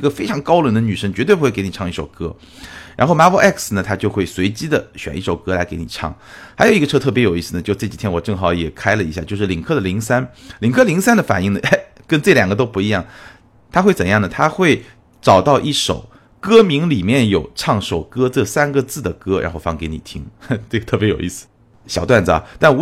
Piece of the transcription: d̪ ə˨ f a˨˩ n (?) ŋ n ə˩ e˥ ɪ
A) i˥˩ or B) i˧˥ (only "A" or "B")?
A